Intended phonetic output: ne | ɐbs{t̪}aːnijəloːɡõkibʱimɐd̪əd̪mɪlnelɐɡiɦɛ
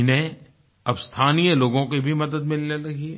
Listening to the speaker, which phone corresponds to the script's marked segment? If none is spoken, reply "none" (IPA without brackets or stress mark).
t̪ʰ